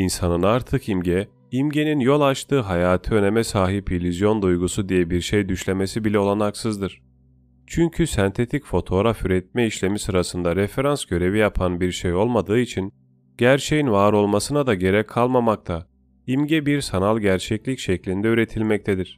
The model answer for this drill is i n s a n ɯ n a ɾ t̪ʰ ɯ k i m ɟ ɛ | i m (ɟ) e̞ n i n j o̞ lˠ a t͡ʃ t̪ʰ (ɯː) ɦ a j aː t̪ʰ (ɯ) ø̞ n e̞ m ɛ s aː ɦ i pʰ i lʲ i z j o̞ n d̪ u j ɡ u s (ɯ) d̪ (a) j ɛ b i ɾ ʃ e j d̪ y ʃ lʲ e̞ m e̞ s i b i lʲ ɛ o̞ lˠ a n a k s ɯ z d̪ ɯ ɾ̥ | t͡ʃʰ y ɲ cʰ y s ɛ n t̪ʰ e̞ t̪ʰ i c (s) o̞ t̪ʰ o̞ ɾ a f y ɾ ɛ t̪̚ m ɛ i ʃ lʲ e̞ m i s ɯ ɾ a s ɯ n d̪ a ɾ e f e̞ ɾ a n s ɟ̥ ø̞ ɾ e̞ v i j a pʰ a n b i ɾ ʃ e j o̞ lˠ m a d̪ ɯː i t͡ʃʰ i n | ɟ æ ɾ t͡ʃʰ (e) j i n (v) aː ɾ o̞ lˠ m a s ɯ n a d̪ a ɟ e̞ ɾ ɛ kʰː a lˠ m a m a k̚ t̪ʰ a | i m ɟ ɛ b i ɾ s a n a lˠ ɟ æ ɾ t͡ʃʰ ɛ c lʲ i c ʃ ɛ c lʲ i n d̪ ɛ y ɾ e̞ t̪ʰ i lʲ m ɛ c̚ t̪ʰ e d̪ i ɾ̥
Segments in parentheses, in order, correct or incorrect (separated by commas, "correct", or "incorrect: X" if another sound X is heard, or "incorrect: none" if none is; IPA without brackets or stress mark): correct, correct, correct, incorrect: u, incorrect: i, incorrect: f, correct, correct